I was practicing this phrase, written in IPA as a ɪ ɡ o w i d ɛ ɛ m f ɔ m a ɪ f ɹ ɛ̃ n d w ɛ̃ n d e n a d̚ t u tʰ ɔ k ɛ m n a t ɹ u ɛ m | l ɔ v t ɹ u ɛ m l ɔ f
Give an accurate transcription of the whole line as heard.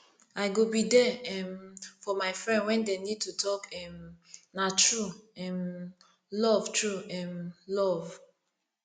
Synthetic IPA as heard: a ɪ ɡ o b i d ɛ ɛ m f ɔ m a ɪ f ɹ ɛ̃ n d w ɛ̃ n d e n i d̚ t u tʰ ɔ k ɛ m n a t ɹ u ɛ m | l ɔ v t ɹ u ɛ m l ɔ v